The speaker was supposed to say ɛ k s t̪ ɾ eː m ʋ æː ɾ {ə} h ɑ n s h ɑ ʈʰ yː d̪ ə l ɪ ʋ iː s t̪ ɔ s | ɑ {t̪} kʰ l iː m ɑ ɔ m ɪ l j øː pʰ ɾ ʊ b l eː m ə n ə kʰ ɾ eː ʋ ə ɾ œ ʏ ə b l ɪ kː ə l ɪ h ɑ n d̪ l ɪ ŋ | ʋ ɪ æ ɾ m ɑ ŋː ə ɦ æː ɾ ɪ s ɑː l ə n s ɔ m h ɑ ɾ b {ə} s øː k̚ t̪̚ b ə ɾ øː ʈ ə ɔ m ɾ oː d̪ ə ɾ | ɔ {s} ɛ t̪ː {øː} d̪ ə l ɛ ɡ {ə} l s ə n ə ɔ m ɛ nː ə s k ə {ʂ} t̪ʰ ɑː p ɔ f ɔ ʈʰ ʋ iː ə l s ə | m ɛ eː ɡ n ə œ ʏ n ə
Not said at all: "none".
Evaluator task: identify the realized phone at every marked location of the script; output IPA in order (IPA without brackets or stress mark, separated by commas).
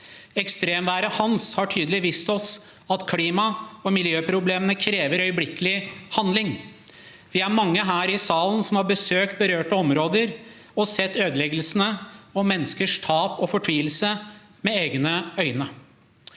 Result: ə, t̪, ə, s, øː, ə, ʂ